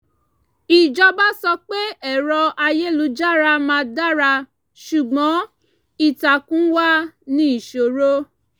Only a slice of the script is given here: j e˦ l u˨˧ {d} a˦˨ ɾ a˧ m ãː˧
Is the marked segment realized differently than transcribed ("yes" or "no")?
yes